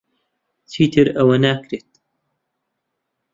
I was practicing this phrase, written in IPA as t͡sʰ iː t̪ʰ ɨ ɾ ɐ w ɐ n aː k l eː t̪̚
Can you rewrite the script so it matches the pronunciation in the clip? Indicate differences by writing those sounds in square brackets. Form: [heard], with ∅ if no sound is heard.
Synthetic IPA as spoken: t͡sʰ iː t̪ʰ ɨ ɾ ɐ w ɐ n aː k [ɾ] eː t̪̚